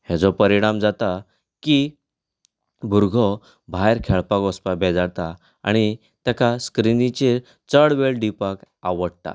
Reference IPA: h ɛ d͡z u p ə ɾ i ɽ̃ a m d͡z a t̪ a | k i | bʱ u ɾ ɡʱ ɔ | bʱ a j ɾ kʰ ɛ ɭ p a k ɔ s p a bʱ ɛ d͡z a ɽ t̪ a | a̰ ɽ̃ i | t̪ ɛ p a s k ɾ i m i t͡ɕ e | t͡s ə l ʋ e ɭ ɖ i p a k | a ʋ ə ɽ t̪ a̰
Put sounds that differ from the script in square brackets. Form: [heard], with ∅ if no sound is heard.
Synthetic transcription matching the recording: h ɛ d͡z [ɔ] p ə ɾ i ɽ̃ a m d͡z a t̪ a | k i | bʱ u ɾ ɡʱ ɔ | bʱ a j ɾ kʰ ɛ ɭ p a k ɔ s p a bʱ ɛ d͡z a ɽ t̪ a | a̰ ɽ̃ i | t̪ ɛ [k] a s k ɾ i [n] i t͡ɕ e | t͡s ə [ɽ] ʋ e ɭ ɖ i p a k | a ʋ ə ɽ t̪ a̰